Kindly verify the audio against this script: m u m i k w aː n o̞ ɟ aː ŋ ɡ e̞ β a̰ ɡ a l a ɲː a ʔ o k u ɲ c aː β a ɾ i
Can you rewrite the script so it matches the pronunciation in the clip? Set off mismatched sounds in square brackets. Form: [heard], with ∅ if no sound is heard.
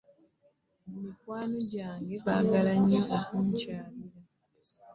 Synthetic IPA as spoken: m u m i k w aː n o̞ ɟ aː ŋ ɡ e̞ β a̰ ɡ a l a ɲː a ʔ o k u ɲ c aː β [i] ɾ [a]

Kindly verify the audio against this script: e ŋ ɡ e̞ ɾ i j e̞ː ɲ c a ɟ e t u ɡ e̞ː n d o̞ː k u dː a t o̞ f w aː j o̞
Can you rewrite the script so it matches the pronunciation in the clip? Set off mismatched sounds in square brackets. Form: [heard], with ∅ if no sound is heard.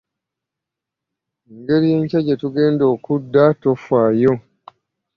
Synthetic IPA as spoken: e ŋ ɡ e̞ ɾ i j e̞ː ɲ c a ɟ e t u ɡ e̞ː n d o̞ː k u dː a t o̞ f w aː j o̞

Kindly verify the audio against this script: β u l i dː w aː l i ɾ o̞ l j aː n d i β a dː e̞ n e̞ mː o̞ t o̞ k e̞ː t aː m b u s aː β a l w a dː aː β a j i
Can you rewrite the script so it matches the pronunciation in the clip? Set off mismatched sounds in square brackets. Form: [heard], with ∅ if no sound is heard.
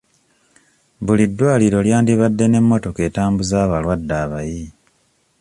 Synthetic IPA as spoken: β u l i dː w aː l i ɾ o̞ l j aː n d i β a dː e̞ n e̞ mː o̞ t o̞ k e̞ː t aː m b u [z] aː β a l w a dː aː β a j i

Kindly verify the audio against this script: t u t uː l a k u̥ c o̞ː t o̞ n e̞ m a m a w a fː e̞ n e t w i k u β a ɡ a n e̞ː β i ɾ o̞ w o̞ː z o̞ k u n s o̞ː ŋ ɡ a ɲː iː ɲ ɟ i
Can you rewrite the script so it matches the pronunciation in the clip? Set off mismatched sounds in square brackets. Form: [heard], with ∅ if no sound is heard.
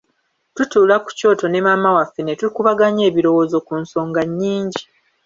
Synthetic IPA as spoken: t u t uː l a k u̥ c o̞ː t o̞ n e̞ m a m a w a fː e̞ n e t [u] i k u β a ɡ a [ɲ] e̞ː β i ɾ o̞ w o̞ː z o̞ k u n s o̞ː ŋ ɡ a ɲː iː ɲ ɟ i

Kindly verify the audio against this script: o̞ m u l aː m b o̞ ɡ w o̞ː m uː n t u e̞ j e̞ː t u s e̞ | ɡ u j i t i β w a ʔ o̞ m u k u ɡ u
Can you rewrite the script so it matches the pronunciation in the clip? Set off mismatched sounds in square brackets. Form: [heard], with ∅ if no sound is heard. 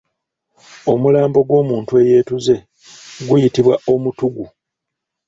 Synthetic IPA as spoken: o̞ m u l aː m b o̞ ɡ w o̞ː m uː n t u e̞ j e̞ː t u [z] e̞ | ɡ u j i t i β w a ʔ o̞ m u [t] u ɡ u

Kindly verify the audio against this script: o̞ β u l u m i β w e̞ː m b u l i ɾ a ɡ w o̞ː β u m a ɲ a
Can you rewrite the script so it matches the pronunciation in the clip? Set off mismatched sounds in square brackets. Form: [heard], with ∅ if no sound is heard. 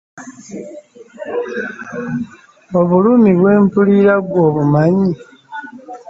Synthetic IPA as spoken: o̞ β u l u m i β w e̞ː m [p] u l i ɾ a ɡ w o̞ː β u m a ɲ [i]

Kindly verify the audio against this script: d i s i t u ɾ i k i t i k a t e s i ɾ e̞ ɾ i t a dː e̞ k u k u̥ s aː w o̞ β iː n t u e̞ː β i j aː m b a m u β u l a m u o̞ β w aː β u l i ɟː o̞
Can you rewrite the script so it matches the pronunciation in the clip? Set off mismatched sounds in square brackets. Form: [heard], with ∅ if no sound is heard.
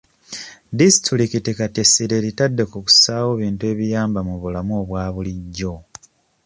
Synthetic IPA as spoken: d i s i t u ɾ i k i t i k a t e s i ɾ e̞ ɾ i t a dː e̞ k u k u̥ s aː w o̞ β iː n t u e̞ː β i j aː m b a m u β u l a m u o̞ β w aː β u l i ɟː o̞

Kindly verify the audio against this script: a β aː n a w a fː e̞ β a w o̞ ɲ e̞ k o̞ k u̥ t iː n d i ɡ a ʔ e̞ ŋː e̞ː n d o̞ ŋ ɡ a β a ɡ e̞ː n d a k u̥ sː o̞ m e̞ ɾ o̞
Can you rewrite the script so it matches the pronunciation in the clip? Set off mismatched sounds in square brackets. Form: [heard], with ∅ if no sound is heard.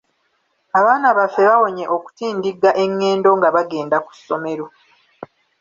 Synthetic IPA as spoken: a β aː n a [β] a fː e̞ β a w o̞ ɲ e̞ [ʔ] o̞ k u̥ t iː n d i ɡ a ʔ e̞ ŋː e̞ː n d o̞ ŋ ɡ a β a ɡ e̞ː n d a k u̥ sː o̞ m e̞ ɾ o̞

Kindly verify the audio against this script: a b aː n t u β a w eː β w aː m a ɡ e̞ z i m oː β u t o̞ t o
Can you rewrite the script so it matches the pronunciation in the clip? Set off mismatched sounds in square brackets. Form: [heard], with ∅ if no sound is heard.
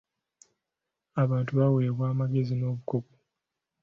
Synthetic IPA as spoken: a [β] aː n t u β a w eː β w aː m a ɡ e̞ z i [n] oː β u [k] o̞ [k] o

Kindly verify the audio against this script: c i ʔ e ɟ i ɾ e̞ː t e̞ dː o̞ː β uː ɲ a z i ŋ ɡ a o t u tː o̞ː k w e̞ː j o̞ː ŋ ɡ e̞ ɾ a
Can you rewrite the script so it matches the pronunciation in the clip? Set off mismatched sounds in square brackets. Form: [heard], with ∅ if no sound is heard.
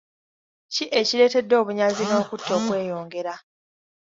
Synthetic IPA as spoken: c i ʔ e [c] i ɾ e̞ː t e̞ dː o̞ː β [u] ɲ a z i ŋ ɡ a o [k] u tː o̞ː k w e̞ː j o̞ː ŋ ɡ e̞ ɾ a

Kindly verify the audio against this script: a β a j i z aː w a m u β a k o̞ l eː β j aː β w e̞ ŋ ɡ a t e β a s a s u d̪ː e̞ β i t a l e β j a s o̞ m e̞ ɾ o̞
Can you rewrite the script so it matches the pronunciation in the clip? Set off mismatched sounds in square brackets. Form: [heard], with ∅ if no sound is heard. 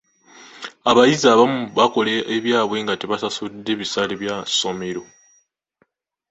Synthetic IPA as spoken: a β a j i z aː [β] a m u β a k o̞ l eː β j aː β w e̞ ŋ ɡ a t e β a s a s u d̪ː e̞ β i [s] a l e β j a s o̞ m e̞ ɾ o̞

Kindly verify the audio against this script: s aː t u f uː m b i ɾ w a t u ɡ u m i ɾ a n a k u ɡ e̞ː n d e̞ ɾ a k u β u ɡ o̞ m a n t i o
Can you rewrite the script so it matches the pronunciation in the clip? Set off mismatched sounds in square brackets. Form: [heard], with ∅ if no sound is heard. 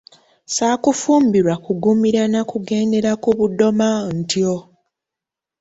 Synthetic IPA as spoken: s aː [k] u f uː m b i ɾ w a [k] u ɡ u m i ɾ a n a k u ɡ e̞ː n d e̞ ɾ a k u β u [d] o̞ m a n t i o

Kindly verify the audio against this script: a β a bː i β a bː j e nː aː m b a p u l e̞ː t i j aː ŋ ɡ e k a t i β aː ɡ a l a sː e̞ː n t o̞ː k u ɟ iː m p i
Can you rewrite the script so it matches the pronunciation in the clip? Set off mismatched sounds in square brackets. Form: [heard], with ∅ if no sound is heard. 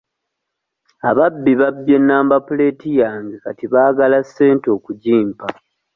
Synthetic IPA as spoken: a β a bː i β a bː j e nː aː m b a p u l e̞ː t i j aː ŋ ɡ e k a t i β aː ɡ a l a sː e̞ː n t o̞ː k u ɟ iː m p [a]

